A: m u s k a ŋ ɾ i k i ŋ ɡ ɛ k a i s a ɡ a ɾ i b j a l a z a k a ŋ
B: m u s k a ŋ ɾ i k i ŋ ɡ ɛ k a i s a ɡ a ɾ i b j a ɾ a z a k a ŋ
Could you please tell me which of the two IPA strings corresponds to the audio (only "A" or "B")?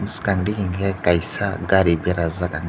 B